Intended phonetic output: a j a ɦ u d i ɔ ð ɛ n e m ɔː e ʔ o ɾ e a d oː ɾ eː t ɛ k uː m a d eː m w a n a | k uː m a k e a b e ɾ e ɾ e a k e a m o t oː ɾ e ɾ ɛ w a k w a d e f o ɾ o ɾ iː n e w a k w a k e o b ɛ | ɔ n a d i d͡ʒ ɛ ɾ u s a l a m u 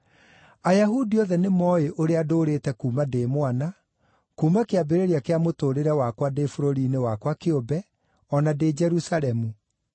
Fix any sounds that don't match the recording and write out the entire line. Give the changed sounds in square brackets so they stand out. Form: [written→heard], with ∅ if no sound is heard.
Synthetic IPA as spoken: a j a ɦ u d i ɔ ð ɛ n e m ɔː e ʔ o ɾ e a d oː ɾ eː t ɛ k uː m a d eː m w a n a | k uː m a k e a b e ɾ e ɾ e a k e a m o t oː ɾ e ɾ ɛ w a k w a d e f o ɾ o ɾ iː n e w a k w a k e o b ɛ | ɔ n a d [i→e] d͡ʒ ɛ ɾ u s a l [a→ɛ] m u